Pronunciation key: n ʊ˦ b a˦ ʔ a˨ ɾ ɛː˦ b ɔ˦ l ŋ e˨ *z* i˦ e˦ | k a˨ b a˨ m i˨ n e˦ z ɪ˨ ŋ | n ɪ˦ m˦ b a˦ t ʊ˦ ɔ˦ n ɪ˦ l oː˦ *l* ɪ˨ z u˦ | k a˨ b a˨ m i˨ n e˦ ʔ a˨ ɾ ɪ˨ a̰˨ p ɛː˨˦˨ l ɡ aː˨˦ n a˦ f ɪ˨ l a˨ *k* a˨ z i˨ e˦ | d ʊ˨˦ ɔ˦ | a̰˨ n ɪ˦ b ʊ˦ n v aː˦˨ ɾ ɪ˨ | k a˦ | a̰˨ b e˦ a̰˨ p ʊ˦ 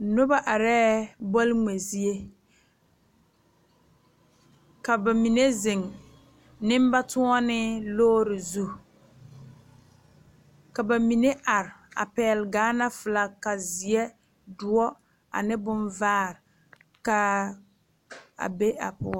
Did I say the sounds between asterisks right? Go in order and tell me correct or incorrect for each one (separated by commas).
correct, incorrect, correct